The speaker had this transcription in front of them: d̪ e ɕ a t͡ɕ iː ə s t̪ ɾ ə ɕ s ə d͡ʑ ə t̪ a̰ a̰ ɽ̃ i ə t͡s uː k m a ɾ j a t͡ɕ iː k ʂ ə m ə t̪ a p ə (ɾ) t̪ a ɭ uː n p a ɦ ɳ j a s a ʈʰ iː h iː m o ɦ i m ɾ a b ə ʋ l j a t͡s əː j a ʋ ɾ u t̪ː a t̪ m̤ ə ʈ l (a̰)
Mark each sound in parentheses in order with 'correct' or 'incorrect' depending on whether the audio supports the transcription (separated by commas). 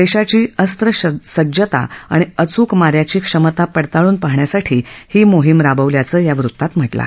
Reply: incorrect, correct